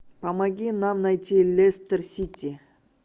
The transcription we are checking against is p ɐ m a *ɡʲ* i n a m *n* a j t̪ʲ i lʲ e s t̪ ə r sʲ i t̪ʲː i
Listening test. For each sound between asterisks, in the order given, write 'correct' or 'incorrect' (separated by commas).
correct, correct